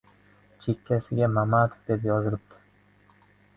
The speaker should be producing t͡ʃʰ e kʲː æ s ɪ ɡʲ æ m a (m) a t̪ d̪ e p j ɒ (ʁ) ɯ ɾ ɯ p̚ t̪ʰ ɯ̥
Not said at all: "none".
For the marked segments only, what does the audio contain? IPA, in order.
m, z

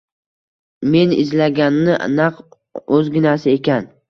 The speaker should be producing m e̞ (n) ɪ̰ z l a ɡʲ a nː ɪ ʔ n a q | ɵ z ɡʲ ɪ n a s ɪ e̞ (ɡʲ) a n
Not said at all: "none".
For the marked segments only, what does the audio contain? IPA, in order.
n, kʲ

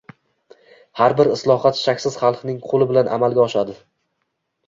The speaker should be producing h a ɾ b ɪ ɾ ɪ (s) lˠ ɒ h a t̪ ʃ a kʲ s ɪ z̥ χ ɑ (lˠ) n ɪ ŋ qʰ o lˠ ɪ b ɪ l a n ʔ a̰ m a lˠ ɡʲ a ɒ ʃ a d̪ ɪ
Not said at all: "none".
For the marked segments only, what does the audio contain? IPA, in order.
s, lˠ

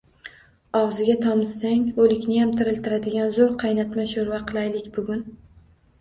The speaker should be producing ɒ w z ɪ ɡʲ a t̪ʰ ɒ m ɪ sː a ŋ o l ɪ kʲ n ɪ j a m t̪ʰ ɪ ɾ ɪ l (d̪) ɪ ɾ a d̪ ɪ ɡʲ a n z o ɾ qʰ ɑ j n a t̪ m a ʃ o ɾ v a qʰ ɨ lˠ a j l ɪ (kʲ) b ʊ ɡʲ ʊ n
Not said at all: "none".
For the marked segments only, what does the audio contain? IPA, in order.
t̪, kʲ

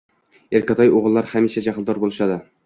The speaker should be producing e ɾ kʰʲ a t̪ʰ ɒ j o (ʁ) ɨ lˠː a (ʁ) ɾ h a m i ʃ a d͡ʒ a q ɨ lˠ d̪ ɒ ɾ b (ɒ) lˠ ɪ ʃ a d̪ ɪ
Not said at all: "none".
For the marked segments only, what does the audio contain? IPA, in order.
ʁ, none, o

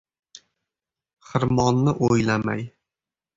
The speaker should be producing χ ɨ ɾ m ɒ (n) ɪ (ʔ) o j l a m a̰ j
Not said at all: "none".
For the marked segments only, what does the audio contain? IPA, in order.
nː, ʔ

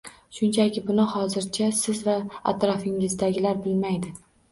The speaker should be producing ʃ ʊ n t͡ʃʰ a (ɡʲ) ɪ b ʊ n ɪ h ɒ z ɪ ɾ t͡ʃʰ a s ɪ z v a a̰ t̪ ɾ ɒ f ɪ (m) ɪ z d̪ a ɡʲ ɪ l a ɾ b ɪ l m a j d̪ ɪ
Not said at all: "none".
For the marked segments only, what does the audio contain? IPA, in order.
kʲ, ŋ

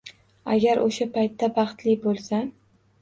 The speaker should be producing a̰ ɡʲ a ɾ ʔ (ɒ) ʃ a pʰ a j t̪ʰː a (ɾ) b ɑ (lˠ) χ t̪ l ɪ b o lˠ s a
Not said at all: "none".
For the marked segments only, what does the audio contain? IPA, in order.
o, none, none

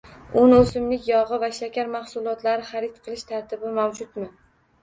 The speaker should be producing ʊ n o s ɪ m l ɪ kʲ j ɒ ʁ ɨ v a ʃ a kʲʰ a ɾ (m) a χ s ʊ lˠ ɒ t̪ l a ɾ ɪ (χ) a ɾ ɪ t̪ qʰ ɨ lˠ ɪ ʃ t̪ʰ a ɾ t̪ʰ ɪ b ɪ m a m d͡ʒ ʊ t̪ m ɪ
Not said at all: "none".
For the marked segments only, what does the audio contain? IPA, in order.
m, χ

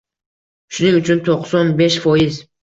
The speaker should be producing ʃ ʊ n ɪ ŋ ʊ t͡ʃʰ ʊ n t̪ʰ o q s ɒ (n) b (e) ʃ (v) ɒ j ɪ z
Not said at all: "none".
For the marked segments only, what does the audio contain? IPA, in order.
n, e, f

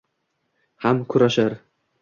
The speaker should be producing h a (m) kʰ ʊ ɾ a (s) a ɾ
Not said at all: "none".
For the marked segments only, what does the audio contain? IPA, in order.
m, ʃ

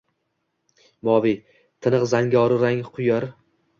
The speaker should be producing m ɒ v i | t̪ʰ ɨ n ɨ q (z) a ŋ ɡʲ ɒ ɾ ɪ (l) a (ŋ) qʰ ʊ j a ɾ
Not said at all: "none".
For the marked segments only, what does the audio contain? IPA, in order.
z, ɾ, ŋ

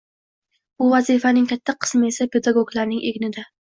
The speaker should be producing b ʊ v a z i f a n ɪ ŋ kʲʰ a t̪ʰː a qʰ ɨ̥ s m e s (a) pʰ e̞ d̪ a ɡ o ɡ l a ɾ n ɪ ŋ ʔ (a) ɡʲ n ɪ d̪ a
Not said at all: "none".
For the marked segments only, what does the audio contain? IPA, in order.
a, e

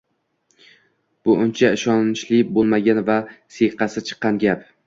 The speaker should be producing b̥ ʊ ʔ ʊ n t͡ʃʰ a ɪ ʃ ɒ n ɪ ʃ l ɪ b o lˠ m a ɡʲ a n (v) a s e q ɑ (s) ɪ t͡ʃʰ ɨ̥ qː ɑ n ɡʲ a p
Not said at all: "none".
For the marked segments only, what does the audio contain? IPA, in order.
v, s

